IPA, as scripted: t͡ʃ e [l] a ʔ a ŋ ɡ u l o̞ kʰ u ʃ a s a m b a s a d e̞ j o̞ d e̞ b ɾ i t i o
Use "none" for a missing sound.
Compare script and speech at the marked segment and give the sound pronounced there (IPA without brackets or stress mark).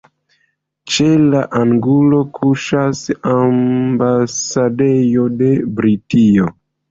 l